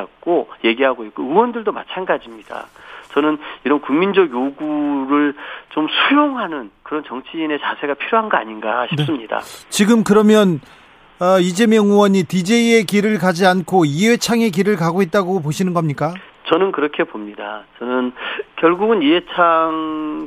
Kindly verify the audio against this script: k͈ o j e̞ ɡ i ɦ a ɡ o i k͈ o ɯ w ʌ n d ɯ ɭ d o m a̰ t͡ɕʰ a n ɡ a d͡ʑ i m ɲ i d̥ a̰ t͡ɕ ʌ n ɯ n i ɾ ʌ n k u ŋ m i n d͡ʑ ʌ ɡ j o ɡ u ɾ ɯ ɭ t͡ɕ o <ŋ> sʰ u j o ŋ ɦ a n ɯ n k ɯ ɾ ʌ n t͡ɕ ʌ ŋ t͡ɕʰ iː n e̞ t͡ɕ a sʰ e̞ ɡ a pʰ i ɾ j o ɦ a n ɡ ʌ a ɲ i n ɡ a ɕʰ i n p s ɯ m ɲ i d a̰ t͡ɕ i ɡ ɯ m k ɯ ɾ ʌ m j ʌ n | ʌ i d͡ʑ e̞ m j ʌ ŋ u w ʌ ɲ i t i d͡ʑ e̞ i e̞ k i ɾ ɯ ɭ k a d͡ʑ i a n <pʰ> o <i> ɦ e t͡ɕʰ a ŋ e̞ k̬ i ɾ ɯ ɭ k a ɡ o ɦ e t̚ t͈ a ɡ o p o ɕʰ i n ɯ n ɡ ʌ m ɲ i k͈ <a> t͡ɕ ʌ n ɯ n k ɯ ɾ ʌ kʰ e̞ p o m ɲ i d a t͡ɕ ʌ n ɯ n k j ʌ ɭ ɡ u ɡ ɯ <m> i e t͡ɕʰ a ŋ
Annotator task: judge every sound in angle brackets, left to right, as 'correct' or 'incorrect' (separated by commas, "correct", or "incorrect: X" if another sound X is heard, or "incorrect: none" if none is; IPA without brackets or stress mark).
incorrect: m, incorrect: kʰ, correct, correct, incorrect: n